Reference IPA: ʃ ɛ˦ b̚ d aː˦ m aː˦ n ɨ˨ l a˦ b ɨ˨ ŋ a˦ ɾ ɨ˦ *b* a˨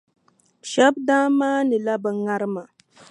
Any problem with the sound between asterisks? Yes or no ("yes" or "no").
yes